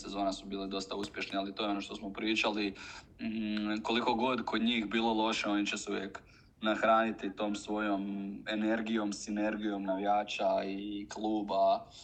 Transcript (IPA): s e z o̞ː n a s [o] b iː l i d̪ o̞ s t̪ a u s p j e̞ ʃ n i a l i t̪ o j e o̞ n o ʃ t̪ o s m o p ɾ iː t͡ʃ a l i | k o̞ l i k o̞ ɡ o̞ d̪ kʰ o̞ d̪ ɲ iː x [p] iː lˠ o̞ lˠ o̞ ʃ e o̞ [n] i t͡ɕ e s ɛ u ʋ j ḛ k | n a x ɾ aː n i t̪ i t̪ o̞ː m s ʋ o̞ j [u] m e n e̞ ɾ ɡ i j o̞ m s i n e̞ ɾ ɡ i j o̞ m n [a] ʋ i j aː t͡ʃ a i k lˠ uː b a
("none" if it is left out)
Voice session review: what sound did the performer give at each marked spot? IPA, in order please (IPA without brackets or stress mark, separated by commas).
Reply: u, b, n, o, a